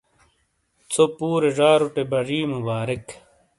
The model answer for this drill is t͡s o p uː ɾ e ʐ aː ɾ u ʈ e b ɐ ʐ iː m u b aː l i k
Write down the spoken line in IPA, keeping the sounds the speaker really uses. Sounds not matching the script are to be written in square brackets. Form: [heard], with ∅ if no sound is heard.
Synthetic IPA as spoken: t͡s o p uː ɾ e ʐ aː ɾ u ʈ e b ɐ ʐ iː m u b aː [ɾ] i k